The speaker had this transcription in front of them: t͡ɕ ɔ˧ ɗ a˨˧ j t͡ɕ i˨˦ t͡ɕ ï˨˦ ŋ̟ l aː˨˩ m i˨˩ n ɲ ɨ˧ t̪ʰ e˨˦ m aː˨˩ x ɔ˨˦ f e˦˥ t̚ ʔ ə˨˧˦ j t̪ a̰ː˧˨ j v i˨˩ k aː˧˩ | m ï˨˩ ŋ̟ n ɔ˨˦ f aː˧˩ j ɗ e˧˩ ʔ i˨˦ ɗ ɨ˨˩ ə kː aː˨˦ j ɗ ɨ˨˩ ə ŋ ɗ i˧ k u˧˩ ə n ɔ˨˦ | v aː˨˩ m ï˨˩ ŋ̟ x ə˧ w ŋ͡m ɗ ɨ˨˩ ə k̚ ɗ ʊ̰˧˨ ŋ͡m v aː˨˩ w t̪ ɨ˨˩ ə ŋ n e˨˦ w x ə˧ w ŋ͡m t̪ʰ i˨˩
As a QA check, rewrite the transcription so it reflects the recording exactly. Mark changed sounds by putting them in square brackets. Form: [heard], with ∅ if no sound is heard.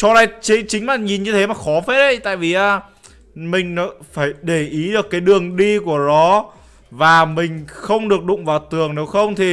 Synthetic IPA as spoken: t͡ɕ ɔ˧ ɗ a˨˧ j t͡ɕ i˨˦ t͡ɕ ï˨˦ ŋ̟ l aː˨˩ [ɲ] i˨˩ n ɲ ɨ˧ t̪ʰ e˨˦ m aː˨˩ x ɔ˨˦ f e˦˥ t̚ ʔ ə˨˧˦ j t̪ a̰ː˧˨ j v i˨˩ [ʔ] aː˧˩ | m ï˨˩ ŋ̟ n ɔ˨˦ f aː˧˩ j ɗ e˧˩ ʔ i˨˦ ɗ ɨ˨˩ ə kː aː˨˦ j ɗ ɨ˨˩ ə ŋ ɗ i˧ k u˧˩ ə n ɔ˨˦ | v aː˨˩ m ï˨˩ ŋ̟ x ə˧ w ŋ͡m ɗ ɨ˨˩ ə k̚ ɗ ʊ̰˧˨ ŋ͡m v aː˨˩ w t̪ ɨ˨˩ ə ŋ n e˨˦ w x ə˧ w ŋ͡m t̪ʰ i˨˩

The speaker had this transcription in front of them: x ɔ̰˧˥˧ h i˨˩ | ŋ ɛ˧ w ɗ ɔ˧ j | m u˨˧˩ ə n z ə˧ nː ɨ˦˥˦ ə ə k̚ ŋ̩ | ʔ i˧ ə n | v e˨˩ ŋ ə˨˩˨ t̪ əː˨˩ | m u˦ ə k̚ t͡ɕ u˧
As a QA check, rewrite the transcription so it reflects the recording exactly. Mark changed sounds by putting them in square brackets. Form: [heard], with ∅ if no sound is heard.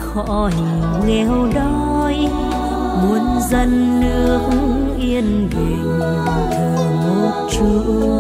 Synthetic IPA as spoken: x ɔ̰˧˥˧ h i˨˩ | ŋ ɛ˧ w ɗ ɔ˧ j | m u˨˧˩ ə n z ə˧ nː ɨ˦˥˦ ə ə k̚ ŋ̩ | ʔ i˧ ə n | v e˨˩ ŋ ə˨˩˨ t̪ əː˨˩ | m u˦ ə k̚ t͡ɕ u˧

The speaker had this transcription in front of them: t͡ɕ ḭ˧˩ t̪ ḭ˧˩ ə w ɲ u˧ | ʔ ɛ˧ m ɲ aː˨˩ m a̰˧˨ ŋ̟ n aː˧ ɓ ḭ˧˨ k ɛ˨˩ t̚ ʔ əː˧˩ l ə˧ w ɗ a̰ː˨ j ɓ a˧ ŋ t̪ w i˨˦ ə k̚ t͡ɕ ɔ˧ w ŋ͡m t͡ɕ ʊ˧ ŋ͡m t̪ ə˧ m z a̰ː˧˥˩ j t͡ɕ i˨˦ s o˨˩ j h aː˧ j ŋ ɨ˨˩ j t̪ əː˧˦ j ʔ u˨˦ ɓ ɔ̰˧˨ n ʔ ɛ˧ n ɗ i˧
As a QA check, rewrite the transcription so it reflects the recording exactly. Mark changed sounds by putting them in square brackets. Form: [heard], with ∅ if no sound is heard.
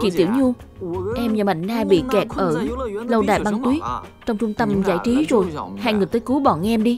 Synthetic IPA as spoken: t͡ɕ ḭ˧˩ t̪ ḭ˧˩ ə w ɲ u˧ | ʔ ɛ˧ m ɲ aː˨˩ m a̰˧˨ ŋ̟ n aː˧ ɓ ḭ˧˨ k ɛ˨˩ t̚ ʔ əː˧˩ l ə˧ w ɗ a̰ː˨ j ɓ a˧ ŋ t̪ w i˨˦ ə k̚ t͡ɕ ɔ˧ w ŋ͡m t͡ɕ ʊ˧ ŋ͡m t̪ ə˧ m z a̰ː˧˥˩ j t͡ɕ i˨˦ [z] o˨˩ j h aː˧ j ŋ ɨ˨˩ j t̪ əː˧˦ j [k] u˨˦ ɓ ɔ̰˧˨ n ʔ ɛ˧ [m] ɗ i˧

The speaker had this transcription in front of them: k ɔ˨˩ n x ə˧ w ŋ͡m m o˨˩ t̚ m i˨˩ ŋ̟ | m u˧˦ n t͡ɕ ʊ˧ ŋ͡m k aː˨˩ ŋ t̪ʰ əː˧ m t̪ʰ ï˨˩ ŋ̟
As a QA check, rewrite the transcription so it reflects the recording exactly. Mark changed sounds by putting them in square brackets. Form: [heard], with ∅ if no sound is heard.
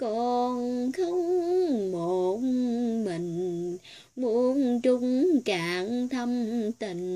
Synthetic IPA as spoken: k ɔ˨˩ n x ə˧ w ŋ͡m m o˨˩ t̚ m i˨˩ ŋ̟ | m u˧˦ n t͡ɕ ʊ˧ ŋ͡m k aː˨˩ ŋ t̪ʰ [ə˧] m [t̪] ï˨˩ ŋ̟

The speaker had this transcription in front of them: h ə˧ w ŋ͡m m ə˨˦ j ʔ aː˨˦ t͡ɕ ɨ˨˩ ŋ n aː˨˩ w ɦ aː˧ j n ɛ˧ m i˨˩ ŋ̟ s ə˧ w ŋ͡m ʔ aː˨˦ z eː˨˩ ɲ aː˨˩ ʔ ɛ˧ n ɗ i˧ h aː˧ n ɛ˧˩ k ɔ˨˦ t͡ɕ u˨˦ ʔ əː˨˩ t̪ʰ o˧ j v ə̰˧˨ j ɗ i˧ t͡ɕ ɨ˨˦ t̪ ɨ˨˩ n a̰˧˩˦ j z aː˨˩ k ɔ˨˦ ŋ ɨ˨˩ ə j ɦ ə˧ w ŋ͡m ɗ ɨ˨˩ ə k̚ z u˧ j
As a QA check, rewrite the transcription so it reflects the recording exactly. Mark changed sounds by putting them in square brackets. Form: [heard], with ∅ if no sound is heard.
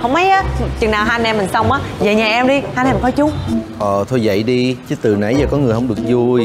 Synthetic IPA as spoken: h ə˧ w ŋ͡m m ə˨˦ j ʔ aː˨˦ t͡ɕ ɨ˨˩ ŋ n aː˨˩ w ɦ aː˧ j n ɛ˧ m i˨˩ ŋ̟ s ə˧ w ŋ͡m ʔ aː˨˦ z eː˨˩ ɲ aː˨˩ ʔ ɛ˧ [m] ɗ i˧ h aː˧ n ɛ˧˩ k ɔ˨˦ t͡ɕ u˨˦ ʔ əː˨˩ t̪ʰ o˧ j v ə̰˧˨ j ɗ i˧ t͡ɕ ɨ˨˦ t̪ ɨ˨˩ n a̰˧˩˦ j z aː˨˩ k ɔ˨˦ ŋ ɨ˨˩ ə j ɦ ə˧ w ŋ͡m ɗ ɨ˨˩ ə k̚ z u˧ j

